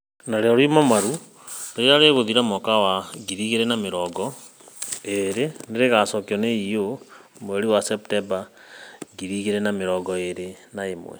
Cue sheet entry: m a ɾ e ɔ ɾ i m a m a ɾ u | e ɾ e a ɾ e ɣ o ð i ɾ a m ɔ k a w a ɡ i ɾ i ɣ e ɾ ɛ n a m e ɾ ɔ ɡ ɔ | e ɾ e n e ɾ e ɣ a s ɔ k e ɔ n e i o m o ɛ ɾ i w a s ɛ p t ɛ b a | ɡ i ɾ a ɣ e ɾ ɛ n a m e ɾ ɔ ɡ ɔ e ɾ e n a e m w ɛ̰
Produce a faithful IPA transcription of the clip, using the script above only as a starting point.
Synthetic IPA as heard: n a ɾ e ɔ ɾ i m a m a ɾ u | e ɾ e a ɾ e ɣ o ð i ɾ a m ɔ k a w a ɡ i ɾ i ɣ e ɾ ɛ n a m e ɾ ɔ ɡ ɔ | e ɾ e n e ɾ e ɣ a s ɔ k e ɔ n e i o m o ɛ ɾ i w a s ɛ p t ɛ b a | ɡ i ɾ i ɣ e ɾ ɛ n a m e ɾ ɔ ɡ ɔ e ɾ e n a e m w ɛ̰